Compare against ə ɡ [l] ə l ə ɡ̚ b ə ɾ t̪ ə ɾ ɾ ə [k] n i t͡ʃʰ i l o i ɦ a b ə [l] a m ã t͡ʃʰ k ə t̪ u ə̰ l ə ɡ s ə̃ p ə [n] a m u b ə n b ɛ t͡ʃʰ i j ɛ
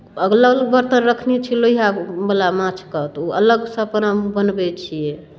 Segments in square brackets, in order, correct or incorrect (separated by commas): correct, incorrect, correct, correct